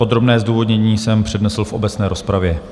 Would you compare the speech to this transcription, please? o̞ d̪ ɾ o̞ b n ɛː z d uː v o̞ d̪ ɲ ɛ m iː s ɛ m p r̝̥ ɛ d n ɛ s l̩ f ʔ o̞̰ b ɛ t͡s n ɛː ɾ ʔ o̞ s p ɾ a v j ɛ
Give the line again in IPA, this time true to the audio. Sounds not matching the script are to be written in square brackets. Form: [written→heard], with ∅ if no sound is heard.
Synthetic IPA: o̞ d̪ ɾ o̞ b n ɛː z d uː v o̞ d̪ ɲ ɛ [m→ɲ] iː s ɛ m p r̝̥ ɛ d n ɛ s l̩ f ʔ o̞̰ b ɛ t͡s n ɛː ɾ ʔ o̞ s p ɾ a v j ɛ